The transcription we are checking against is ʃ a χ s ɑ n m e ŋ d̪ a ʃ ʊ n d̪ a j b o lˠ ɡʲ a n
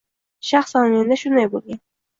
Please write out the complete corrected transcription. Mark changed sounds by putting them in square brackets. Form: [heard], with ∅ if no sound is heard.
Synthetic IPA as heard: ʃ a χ s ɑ n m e [n] d̪ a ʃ ʊ n d̪ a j b o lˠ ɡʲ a n